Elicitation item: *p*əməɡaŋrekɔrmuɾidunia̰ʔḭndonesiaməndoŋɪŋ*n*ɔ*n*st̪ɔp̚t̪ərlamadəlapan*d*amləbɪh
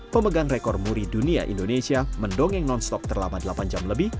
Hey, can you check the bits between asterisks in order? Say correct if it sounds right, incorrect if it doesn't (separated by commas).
correct, correct, correct, incorrect